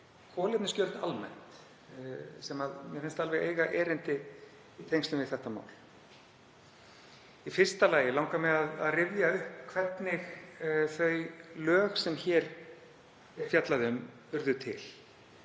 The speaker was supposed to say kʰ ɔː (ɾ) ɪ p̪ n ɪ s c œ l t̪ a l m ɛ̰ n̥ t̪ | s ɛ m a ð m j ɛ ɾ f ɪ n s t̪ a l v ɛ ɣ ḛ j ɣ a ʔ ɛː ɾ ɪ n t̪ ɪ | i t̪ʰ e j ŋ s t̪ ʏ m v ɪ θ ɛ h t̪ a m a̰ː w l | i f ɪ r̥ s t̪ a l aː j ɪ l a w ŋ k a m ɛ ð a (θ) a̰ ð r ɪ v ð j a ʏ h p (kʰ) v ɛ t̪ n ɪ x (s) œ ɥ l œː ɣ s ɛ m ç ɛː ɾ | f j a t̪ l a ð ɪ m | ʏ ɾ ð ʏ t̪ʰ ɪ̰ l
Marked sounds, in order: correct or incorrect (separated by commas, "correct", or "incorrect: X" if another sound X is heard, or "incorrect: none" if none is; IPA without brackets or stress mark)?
incorrect: l, incorrect: ð, correct, incorrect: θ